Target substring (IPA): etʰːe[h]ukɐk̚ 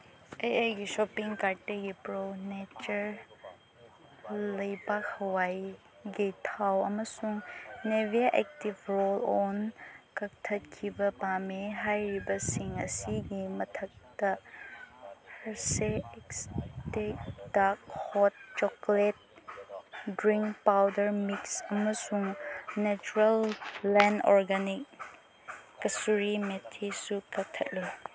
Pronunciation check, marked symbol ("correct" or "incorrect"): incorrect